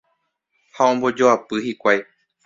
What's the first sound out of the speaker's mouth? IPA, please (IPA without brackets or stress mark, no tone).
h